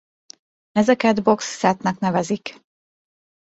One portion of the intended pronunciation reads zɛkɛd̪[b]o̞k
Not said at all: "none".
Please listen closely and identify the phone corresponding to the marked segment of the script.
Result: b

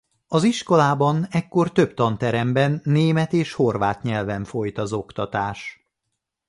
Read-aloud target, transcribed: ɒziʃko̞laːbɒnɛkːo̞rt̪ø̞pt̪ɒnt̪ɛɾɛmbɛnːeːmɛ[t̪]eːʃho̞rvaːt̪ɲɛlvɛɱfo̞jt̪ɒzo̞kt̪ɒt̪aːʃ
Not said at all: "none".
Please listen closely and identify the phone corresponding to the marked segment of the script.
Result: t̪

